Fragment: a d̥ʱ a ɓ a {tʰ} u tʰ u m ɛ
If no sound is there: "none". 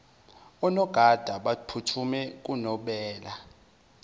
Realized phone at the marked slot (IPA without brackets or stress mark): pʰ